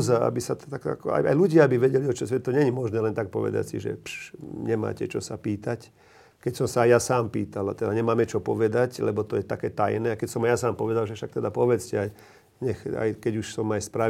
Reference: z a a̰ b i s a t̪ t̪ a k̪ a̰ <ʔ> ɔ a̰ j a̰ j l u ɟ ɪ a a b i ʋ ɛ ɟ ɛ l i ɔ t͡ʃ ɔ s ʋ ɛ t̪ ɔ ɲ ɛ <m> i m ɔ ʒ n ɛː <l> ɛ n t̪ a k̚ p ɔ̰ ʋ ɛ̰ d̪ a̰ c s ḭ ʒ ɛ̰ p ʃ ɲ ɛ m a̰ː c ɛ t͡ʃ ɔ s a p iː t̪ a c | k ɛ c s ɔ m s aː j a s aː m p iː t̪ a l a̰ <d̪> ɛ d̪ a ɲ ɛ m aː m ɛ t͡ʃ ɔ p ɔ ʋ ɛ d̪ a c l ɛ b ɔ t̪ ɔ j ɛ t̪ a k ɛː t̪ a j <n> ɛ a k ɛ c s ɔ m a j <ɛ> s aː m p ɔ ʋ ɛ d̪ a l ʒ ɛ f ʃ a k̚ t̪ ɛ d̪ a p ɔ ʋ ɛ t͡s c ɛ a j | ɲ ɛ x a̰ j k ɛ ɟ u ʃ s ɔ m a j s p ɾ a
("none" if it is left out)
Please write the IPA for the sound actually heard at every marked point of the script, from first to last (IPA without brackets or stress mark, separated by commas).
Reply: k, ɲ, l, t̪, n, a